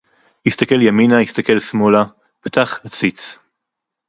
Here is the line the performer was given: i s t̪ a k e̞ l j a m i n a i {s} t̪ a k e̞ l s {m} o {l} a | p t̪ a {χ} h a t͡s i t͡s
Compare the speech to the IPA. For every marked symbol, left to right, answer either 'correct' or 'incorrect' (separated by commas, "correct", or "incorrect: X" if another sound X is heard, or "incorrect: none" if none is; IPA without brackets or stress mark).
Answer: correct, correct, correct, correct